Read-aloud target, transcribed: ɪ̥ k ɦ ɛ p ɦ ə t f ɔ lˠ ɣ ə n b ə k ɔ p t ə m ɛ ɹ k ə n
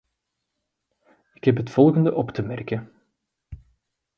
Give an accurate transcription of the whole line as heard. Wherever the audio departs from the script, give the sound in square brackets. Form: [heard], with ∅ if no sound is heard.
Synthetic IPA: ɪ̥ k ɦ ɛ p ɦ ə t f ɔ lˠ ɣ ə n [d] ə [ʔ] ɔ p t ə m ɛ [r] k ə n